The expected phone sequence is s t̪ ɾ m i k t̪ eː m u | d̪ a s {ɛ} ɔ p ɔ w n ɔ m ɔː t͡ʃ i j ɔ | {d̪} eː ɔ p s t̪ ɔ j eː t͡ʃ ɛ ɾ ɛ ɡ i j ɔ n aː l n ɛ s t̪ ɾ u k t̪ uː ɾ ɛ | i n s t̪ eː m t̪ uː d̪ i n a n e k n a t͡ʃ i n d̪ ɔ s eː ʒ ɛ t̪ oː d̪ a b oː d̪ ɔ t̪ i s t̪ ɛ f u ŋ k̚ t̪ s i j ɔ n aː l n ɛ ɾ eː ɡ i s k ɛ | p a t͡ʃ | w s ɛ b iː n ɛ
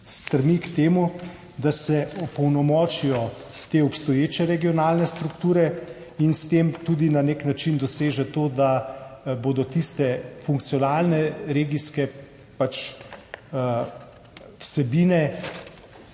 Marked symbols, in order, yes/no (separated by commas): yes, no